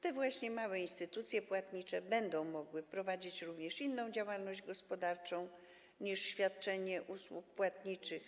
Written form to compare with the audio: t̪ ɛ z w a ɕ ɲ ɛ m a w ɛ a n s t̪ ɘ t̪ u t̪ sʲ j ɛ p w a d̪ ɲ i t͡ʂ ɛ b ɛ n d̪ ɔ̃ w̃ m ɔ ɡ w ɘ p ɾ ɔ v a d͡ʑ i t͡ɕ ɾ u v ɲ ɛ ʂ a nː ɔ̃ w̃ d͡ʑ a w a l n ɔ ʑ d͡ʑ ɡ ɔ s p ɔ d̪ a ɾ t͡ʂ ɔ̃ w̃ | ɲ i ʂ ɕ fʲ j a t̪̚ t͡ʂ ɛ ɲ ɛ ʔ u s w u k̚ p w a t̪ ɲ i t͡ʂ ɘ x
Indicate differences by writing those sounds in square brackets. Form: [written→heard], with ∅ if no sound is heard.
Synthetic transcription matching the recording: t̪ ɛ [z→v] w a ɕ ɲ ɛ m a w ɛ [a→i] n s t̪ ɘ t̪ u t̪ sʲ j ɛ p w a [d̪→t̪] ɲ i t͡ʂ ɛ b ɛ n d̪ ɔ̃ w̃ m ɔ ɡ w ɘ p ɾ ɔ v a d͡ʑ i t͡ɕ ɾ u v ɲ ɛ ʂ [a→i] nː ɔ̃ w̃ d͡ʑ a w a l n ɔ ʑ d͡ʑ ɡ ɔ s p ɔ d̪ a ɾ t͡ʂ ɔ̃ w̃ | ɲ i ʂ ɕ fʲ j a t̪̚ t͡ʂ ɛ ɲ ɛ ʔ u s w u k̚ p w a t̪ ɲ i t͡ʂ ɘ x

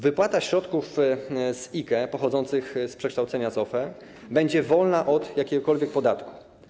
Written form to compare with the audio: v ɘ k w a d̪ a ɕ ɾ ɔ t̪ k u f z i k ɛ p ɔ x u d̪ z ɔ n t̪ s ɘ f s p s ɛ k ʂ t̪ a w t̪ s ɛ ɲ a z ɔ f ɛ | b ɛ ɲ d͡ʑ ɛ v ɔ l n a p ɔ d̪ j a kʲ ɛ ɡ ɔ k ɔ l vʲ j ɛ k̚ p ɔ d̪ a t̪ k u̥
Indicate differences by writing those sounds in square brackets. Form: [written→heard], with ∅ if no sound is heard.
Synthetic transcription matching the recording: v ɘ [k→p] w a [d̪→t̪] a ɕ ɾ ɔ t̪ k u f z i k ɛ p ɔ x [u→ɔ] d̪ z ɔ n t̪ s ɘ [f→x] s p [s→ʂ] ɛ k ʂ t̪ a w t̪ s ɛ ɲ a z ɔ f ɛ | b ɛ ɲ d͡ʑ ɛ v ɔ l n a [p→ʔ] ɔ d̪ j a kʲ ɛ ɡ ɔ k ɔ l vʲ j ɛ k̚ p ɔ d̪ a t̪ k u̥

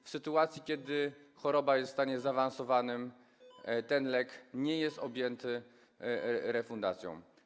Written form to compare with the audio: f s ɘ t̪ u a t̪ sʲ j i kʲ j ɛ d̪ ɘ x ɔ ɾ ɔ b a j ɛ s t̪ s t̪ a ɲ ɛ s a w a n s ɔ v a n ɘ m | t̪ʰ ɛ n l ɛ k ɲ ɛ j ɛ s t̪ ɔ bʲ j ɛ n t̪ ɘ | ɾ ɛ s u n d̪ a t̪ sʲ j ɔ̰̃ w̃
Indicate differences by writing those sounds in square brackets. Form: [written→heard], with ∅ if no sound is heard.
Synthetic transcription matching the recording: f s ɘ t̪ u a t̪ sʲ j i kʲ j ɛ d̪ ɘ x ɔ ɾ ɔ b a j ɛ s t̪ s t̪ a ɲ ɛ [s→z] a [w→v] a n s ɔ v a n ɘ m | [t̪ʰ→t̪] ɛ n l ɛ k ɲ ɛ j ɛ s t̪ ɔ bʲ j ɛ n t̪ ɘ | ɾ ɛ [s→f] u n d̪ a t̪ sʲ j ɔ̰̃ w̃

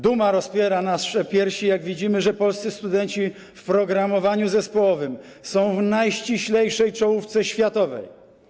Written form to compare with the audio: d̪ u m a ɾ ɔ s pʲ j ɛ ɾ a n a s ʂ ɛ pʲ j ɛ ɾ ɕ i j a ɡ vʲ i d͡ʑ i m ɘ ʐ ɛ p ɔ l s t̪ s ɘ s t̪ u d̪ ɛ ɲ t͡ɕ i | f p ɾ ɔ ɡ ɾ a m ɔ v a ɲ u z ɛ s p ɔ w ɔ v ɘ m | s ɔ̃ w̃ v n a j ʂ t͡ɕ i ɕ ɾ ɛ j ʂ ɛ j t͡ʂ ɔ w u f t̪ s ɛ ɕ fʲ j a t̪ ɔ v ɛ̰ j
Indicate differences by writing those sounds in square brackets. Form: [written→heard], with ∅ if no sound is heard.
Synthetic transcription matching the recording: d̪ u m a ɾ ɔ s pʲ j ɛ ɾ a n a s ʂ ɛ pʲ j ɛ ɾ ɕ i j a ɡ vʲ i d͡ʑ i m ɘ ʐ ɛ p ɔ l s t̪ s ɘ s t̪ u d̪ ɛ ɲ t͡ɕ i | f p ɾ ɔ ɡ ɾ a m ɔ v a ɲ u z ɛ s p ɔ w ɔ v ɘ m | s ɔ̃ w̃ v n a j [ʂ→ɕ] t͡ɕ i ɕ [ɾ→l] ɛ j ʂ ɛ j t͡ʂ ɔ w u f t̪ s ɛ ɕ fʲ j a t̪ ɔ v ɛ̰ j

